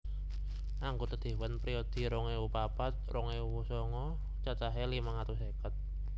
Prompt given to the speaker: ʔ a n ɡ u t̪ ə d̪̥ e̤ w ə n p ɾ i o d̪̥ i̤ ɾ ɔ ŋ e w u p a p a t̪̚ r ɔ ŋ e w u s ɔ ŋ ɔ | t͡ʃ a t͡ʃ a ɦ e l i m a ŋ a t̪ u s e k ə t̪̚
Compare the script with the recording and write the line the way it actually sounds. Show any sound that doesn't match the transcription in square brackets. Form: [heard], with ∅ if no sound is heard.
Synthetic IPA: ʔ a [ŋ] ɡ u t̪ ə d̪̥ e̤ w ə n p ɾ i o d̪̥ i̤ ɾ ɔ ŋ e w u p a p a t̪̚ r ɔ ŋ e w u s ɔ ŋ ɔ | t͡ʃ a t͡ʃ a ɦ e l i m a ŋ a t̪ u s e k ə t̪̚

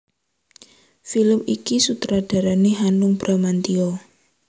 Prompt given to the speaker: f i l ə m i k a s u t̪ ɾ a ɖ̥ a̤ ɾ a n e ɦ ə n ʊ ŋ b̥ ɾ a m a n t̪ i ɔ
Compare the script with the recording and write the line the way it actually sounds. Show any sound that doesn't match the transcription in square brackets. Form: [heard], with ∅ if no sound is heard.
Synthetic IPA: f i l ə m i k [i] s u t̪ ɾ a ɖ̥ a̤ ɾ a n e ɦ [a] n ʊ ŋ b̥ ɾ a m a n t̪ i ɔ

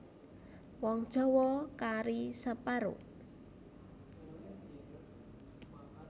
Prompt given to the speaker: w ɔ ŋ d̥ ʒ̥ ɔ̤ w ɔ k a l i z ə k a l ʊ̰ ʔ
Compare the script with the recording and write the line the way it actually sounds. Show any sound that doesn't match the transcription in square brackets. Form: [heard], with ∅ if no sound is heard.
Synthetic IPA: w ɔ ŋ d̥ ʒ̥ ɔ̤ w ɔ k a [ɾ] i [s] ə [p] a [ɾ] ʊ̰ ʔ

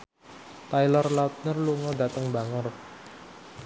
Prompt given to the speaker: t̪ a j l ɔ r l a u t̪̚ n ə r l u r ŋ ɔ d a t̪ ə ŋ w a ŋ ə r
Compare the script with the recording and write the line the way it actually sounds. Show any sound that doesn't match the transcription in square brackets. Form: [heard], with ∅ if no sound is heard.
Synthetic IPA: t̪ a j l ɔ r l a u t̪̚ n ə r l u [∅] ŋ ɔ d a t̪ ə ŋ [b] a ŋ ə r

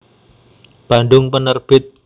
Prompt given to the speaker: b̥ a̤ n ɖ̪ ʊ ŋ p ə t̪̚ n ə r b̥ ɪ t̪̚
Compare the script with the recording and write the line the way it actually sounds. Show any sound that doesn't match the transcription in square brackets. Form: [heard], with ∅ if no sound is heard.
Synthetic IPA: b̥ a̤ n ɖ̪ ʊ ŋ p ə [∅] n ə r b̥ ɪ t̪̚

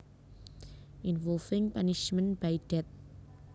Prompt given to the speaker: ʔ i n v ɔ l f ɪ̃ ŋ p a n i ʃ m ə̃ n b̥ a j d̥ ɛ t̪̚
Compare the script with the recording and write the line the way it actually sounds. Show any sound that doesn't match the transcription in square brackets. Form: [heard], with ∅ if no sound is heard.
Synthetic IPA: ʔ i n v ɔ l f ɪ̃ ŋ p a n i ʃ m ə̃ n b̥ a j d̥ ɛ t̪̚

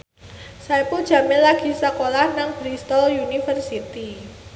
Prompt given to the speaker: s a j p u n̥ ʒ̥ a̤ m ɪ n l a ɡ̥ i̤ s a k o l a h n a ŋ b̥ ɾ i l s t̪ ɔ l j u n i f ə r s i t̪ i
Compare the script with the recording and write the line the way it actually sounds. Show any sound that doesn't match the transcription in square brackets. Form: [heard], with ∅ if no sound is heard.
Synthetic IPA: s a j p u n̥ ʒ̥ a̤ m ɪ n l a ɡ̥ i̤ s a k o l a h n a ŋ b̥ ɾ i [∅] s t̪ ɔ l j u n i f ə r s i t̪ i

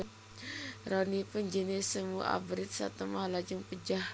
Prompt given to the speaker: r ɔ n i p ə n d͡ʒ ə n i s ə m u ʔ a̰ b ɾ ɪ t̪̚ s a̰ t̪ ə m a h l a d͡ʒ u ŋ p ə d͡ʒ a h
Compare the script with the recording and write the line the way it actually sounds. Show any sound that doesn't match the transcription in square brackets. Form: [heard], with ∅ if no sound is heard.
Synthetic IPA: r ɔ n i p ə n d͡ʒ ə n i s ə m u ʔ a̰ b ɾ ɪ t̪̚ s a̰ t̪ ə m a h l a d͡ʒ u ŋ p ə d͡ʒ a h

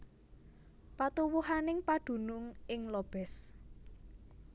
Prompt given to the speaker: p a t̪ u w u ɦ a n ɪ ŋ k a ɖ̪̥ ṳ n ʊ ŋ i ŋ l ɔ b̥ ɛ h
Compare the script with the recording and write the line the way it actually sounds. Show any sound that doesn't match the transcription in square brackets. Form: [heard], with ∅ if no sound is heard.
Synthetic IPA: p a t̪ u w u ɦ a n ɪ ŋ [p] a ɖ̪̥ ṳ n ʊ ŋ [ɪ] ŋ l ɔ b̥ ɛ [s]

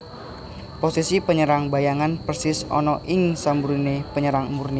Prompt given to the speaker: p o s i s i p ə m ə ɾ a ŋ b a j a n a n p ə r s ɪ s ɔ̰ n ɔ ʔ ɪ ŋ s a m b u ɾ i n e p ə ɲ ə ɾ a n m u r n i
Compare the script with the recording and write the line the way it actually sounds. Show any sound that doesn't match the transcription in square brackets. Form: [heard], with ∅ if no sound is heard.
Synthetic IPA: p o s i s i p ə [ɲ] ə ɾ a ŋ b a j a [ŋ] a n p ə r s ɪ s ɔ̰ n ɔ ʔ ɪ ŋ s a m b u ɾ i n e p ə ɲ ə ɾ a [ŋ] m u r n i

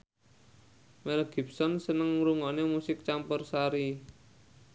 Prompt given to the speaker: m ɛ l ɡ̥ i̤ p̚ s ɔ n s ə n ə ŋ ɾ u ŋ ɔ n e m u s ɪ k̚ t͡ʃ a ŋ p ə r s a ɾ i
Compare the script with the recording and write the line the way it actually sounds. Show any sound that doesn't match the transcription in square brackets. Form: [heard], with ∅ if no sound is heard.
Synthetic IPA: m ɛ l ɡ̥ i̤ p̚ s ɔ n s ə n ə ŋ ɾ u ŋ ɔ n e m u s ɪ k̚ t͡ʃ a [m] p ə r s a ɾ i

